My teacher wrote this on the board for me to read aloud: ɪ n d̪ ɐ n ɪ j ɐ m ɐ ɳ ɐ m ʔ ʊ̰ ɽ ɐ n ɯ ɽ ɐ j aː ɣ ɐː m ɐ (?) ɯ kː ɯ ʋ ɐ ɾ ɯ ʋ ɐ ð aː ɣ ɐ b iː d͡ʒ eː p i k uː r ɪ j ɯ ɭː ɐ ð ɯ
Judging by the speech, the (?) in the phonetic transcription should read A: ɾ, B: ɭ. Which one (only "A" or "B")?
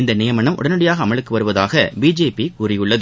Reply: B